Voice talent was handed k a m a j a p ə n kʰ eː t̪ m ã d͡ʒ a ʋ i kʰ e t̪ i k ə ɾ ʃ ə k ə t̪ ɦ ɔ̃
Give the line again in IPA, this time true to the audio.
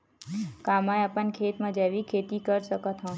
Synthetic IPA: k a m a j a p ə n kʰ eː t̪ m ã d͡ʒ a ʋ i kʰ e t̪ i k ə ɾ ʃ ə k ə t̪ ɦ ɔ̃